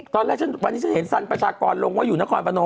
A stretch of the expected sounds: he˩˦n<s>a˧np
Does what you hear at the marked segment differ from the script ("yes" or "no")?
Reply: no